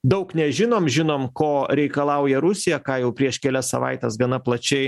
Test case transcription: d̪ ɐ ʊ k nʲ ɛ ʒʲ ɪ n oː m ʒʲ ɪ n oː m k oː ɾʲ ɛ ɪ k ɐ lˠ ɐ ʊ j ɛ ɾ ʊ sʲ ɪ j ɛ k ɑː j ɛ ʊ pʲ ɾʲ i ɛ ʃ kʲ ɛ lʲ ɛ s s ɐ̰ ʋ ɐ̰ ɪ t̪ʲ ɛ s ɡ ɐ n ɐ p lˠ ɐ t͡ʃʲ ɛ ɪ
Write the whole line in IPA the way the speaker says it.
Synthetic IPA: d̪ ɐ ʊ k nʲ ɛ ʒʲ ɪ n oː m ʒʲ ɪ n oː m k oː ɾʲ ɛ ɪ k ɐ lˠ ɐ ʊ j ɛ ɾ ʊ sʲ ɪ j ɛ k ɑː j ɛ ʊ pʲ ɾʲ i ɛ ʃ kʲ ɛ lʲ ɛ s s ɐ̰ ʋ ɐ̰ ɪ t̪ʲ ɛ s ɡ ɐ n ɐ p lˠ ɐ t͡ʃʲ ɛ ɪ